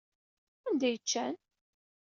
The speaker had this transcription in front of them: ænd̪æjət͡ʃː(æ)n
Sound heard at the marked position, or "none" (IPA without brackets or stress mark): æ